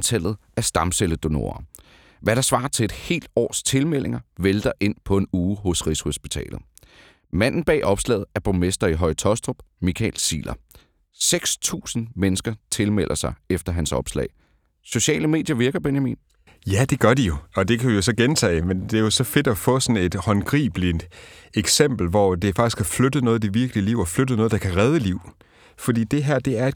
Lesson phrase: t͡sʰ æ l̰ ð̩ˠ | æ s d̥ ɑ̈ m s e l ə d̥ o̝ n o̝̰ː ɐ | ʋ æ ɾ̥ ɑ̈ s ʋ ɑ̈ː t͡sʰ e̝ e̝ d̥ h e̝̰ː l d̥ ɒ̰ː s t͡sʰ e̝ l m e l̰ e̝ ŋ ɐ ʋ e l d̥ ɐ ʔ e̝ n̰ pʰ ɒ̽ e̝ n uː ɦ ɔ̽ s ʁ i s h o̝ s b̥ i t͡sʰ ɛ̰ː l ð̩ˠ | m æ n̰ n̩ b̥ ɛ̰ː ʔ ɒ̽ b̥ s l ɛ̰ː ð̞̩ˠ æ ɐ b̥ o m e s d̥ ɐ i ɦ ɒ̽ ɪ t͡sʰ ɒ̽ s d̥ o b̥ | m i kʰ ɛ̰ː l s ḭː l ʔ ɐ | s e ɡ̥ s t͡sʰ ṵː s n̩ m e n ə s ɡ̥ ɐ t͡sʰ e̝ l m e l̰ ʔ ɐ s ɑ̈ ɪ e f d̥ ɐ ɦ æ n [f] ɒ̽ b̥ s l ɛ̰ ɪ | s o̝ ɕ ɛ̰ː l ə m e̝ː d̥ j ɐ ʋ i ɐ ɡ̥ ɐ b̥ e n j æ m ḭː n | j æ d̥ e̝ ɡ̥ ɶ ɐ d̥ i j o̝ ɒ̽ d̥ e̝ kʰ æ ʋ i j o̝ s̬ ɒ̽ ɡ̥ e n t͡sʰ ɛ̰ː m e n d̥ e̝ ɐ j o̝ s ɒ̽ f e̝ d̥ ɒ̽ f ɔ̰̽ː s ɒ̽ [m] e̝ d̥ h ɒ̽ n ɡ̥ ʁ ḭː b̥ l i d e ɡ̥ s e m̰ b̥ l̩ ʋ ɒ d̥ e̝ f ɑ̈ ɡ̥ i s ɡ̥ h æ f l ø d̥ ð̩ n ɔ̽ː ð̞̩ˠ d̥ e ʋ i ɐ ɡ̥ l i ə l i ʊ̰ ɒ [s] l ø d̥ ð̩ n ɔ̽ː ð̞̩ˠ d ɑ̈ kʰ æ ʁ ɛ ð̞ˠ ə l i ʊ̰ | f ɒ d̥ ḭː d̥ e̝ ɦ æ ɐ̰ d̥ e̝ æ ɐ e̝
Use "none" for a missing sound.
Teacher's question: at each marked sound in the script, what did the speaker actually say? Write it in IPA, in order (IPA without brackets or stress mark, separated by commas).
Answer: s, n, f